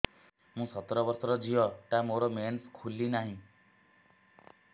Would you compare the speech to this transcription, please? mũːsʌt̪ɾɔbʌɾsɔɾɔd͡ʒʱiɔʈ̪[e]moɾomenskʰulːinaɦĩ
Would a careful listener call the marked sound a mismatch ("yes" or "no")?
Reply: yes